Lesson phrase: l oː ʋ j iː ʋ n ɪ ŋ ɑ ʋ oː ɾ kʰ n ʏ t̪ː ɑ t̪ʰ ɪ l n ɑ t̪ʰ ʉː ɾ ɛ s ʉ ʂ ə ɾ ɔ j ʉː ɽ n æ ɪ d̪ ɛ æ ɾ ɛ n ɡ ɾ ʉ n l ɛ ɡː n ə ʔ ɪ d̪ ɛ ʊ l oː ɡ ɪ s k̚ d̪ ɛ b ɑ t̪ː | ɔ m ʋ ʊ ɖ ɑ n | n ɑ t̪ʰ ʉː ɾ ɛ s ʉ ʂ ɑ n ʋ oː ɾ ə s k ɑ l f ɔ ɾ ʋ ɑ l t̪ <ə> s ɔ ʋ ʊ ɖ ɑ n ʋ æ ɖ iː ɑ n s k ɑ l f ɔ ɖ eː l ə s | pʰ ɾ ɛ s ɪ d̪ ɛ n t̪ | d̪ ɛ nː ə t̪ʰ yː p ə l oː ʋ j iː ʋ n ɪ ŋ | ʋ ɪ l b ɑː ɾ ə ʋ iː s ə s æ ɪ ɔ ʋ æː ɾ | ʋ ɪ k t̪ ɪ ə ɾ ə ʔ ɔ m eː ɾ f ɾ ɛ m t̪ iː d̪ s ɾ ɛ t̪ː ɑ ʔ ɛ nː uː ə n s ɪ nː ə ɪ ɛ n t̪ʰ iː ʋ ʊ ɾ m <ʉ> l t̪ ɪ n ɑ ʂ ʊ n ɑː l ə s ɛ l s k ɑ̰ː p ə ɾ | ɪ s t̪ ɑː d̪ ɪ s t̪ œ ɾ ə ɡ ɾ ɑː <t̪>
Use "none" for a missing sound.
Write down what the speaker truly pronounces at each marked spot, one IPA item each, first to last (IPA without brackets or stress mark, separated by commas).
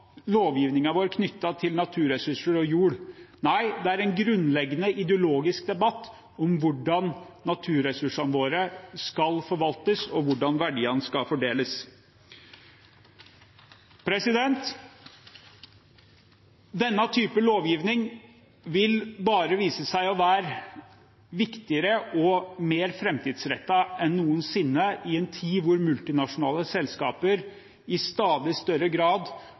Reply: ə, ʉ, d̪